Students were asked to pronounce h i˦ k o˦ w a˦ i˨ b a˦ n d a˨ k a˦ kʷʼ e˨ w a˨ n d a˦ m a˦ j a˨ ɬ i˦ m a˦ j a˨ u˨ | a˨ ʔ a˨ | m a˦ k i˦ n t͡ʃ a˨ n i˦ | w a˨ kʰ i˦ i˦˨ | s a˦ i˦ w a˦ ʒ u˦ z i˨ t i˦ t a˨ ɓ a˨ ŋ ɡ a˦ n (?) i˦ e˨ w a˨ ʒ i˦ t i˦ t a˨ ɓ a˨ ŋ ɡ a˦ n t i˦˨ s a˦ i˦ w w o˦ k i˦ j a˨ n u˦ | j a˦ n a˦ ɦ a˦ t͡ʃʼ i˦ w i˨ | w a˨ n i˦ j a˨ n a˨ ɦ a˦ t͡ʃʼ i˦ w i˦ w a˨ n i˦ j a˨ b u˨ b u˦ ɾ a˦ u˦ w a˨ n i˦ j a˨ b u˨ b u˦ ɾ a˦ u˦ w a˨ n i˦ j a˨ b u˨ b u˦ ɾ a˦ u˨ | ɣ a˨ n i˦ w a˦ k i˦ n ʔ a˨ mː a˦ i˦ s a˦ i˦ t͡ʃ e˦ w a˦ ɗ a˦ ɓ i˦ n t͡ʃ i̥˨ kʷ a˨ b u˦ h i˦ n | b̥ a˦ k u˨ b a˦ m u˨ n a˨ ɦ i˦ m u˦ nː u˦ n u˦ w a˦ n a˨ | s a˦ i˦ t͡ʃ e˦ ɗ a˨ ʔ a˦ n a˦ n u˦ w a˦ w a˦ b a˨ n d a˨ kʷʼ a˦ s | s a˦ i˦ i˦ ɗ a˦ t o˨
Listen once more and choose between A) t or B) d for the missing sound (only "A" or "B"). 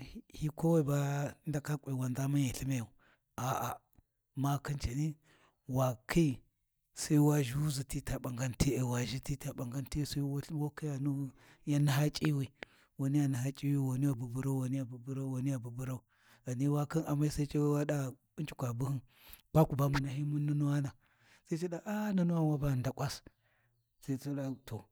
A